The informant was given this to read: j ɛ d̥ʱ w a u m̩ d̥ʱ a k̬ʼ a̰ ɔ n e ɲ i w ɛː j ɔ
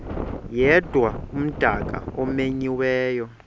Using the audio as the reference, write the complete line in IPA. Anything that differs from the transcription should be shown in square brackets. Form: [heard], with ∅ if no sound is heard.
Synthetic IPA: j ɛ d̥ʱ w a u m̩ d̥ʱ a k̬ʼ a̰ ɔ [m] e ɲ i w ɛː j ɔ